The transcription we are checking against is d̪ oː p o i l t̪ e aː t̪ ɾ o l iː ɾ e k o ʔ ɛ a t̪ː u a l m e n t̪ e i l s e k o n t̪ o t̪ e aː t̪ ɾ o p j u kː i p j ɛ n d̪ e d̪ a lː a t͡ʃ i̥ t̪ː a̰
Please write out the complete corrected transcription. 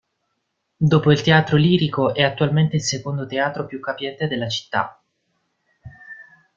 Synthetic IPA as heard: d̪ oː p o i l t̪ e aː t̪ ɾ o l iː ɾ i k o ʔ ɛ a t̪ː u a l m e n t̪ e i l s e k o n d̪ o t̪ e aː t̪ ɾ o p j u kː a p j ɛ n t̪ e d̪ e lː a t͡ʃ i̥ t̪ː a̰